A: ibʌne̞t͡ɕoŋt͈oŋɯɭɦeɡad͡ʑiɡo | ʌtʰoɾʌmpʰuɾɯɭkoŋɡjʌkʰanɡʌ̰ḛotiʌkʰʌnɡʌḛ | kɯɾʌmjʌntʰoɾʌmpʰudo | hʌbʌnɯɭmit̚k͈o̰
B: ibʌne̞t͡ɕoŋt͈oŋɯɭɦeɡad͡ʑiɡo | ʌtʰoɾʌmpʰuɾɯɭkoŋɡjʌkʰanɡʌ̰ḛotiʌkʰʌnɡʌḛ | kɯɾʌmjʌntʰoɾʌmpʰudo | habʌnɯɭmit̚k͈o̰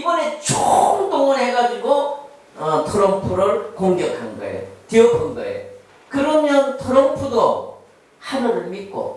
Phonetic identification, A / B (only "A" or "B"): B